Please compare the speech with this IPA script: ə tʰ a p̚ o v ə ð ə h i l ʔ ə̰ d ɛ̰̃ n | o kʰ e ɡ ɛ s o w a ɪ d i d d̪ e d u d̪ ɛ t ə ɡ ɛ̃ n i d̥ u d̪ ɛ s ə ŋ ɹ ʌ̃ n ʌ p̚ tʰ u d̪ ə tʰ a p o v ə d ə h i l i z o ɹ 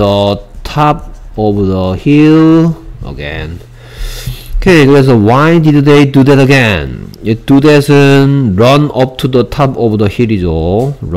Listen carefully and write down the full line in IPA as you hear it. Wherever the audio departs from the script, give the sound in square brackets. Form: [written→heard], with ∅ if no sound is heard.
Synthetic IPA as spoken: ə tʰ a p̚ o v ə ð ə h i l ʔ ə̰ [d→ɡ] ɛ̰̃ n | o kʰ e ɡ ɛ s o w a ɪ d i d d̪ e d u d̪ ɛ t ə ɡ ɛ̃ n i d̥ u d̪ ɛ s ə [ŋ→n] ɹ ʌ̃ n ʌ p̚ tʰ u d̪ ə tʰ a p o v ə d ə h i l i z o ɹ